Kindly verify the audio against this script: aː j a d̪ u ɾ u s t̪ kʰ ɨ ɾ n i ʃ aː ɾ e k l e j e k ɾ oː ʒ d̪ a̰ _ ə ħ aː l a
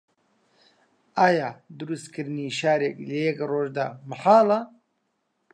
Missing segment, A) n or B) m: B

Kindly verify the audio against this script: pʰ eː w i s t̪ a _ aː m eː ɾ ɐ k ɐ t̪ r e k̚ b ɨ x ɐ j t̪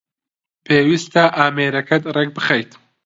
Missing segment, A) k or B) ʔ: B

